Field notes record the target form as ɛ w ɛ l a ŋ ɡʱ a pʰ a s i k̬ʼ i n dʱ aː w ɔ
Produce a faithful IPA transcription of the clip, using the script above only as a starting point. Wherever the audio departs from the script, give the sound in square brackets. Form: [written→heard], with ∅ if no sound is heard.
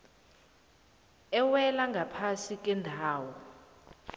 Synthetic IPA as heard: ɛ w ɛ l a ŋ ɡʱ a pʰ a s i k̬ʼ [i→ɛ] n dʱ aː w ɔ